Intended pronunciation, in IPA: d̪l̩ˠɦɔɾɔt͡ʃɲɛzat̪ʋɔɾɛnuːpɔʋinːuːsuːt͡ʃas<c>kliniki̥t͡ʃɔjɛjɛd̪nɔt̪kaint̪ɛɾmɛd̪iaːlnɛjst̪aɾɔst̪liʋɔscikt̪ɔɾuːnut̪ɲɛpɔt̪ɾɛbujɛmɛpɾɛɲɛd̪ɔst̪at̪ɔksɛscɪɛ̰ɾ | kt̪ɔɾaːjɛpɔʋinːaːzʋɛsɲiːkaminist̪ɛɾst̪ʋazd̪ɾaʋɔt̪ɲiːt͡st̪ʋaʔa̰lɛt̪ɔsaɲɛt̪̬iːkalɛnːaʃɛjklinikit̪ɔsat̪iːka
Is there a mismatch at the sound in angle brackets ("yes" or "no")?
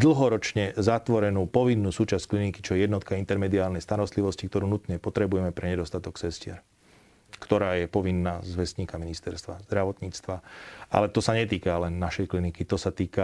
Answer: no